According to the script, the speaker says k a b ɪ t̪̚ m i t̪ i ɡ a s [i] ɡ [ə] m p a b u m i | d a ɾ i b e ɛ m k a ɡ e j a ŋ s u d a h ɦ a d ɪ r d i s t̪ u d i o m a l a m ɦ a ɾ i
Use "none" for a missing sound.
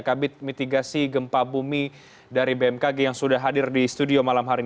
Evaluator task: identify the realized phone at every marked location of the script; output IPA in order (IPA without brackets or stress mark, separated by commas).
i, ə